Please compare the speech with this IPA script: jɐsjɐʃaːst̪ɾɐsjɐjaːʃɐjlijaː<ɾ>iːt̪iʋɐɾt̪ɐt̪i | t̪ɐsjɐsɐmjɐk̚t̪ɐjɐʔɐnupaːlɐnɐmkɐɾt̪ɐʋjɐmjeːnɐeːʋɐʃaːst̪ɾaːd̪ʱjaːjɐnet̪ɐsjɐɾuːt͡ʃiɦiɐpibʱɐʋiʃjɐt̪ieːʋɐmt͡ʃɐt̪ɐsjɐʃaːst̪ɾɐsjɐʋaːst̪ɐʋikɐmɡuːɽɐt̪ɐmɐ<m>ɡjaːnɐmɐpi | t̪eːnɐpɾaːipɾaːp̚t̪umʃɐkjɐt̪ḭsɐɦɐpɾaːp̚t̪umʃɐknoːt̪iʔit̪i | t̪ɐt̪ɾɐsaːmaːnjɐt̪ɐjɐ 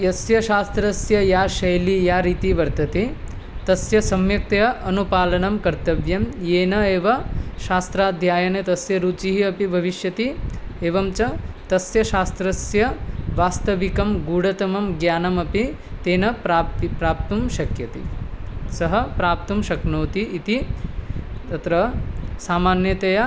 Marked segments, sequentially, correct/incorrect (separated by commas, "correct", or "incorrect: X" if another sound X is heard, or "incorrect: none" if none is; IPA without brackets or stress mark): correct, correct